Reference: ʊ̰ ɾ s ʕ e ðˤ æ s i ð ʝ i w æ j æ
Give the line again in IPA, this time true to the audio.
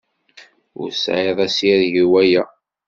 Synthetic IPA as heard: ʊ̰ ɾ s ʕ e ðˤ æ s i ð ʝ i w æ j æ